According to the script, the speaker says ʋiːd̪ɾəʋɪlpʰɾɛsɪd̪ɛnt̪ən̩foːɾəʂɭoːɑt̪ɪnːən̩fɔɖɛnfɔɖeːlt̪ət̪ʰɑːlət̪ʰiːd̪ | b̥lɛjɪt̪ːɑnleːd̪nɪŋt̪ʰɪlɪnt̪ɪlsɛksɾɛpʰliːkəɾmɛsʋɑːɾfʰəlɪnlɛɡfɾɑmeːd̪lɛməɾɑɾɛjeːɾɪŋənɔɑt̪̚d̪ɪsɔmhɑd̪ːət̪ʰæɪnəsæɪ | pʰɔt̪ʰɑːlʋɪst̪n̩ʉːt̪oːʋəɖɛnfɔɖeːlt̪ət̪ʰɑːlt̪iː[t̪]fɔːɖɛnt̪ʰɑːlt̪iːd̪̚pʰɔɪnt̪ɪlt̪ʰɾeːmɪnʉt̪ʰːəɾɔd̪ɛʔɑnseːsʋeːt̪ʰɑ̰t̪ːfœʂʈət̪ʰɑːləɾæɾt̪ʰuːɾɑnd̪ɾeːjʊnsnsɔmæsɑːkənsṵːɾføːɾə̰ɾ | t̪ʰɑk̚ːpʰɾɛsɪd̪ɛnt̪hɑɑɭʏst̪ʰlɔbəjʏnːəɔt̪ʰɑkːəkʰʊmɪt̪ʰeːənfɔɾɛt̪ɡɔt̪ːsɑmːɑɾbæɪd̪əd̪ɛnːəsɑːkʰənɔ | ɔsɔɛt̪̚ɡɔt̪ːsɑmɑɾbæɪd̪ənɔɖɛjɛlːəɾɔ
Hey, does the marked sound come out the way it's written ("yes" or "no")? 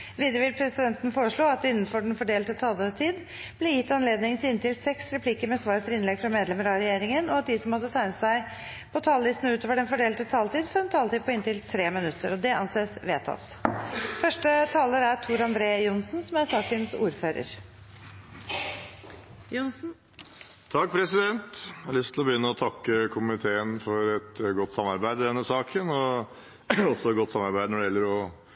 no